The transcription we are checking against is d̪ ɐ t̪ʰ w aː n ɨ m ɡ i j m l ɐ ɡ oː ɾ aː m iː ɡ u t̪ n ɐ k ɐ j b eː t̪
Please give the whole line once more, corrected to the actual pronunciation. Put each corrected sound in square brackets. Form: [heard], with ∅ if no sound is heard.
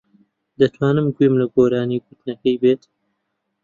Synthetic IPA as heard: d̪ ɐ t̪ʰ w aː n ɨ m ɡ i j m l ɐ ɡ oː ɾ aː [n] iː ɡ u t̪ n ɐ k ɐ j b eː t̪